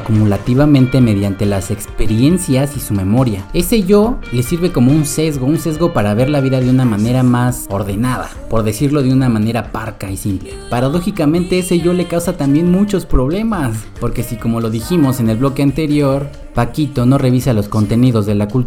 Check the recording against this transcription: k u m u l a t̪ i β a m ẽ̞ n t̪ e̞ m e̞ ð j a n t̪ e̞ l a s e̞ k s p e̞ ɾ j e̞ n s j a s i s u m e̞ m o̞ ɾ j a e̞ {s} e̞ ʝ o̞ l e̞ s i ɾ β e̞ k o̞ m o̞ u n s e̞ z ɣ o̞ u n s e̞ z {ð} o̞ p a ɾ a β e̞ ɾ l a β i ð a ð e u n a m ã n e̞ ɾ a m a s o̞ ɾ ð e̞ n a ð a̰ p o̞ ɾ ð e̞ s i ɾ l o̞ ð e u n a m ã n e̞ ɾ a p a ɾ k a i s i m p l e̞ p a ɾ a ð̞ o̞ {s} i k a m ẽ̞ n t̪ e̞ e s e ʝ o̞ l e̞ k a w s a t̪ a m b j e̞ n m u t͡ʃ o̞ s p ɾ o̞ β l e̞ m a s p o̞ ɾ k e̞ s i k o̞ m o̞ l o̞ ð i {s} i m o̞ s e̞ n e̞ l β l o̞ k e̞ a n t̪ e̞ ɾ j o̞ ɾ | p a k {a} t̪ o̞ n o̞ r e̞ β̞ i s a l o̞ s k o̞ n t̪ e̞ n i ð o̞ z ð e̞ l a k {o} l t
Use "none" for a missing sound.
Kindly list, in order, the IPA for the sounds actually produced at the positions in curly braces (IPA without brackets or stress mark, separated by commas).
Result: s, ɣ, x, x, i, u